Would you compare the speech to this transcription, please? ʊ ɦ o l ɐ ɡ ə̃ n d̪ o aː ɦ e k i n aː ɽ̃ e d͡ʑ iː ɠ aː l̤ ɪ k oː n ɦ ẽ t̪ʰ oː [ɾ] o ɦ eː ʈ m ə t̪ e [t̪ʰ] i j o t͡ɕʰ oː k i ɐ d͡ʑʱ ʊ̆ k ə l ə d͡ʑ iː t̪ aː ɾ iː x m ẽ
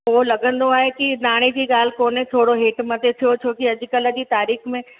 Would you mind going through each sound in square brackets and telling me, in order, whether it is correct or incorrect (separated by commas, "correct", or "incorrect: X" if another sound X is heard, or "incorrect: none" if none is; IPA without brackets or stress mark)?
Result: incorrect: ɽ, correct